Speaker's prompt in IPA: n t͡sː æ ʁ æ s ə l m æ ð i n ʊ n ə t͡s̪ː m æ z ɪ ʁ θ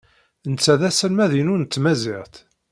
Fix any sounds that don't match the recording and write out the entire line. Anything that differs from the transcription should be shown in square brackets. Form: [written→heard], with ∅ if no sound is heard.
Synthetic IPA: n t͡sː æ [ʁ→ð] æ s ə l m æ ð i n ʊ n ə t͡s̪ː m æ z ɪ ʁ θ